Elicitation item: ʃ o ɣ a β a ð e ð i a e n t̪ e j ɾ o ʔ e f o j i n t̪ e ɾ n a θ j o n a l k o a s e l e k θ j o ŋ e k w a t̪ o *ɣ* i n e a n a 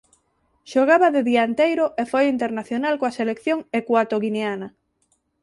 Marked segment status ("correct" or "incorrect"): correct